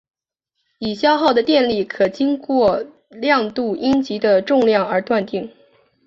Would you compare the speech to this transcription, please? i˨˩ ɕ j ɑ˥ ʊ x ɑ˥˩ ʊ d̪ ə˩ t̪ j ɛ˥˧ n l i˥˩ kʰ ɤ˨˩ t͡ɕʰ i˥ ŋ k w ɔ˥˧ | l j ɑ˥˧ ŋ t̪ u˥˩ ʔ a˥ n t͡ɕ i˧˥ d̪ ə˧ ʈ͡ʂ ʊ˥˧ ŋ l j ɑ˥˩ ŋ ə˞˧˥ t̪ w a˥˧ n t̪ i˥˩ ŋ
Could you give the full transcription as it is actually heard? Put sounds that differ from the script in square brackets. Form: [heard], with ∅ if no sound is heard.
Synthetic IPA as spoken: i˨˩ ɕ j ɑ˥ ʊ x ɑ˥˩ ʊ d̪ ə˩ t̪ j ɛ˥˧ n l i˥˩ kʰ ɤ˨˩ [t͡ɕ] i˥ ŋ k w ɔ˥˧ | l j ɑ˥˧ ŋ t̪ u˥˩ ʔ [i˥] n t͡ɕ i˧˥ d̪ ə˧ ʈ͡ʂ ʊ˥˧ ŋ l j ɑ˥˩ ŋ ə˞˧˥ t̪ w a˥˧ n t̪ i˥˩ ŋ